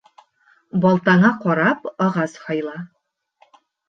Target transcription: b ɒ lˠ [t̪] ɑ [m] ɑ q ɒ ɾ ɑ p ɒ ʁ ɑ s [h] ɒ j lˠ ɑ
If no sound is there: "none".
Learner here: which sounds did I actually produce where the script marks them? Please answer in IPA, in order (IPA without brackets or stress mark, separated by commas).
t̪, ɴ, h